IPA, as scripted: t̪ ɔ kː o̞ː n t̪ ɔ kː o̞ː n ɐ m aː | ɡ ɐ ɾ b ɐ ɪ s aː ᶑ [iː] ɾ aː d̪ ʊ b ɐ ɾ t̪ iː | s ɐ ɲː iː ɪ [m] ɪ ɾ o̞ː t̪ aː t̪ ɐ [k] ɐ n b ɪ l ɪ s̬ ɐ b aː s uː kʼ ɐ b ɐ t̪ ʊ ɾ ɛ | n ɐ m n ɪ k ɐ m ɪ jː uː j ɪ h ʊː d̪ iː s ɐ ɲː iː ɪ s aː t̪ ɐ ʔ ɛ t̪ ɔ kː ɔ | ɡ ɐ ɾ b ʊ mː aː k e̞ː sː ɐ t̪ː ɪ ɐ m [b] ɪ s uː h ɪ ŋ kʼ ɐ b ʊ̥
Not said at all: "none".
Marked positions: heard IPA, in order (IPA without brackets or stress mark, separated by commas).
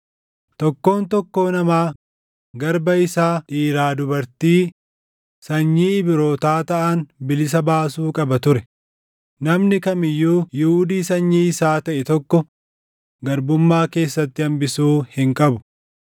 iː, b, ʔ, b